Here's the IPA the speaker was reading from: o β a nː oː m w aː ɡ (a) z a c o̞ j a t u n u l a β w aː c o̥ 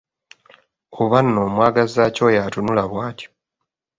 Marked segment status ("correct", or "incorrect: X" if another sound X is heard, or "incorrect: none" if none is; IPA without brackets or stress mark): correct